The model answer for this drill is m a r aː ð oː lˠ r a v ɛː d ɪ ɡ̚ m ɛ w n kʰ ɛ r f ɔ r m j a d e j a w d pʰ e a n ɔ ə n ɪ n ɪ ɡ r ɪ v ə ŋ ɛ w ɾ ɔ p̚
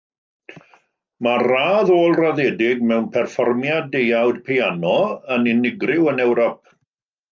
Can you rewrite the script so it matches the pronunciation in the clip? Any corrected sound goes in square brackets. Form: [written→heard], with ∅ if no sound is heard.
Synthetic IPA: m a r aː ð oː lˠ r a [v→ð] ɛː d ɪ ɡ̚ m ɛ w n [kʰ→pʰ] ɛ r f ɔ r m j a d e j a w d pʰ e a n ɔ ə n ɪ n ɪ ɡ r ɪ [v→w] ə [ŋ→n] ɛ w ɾ ɔ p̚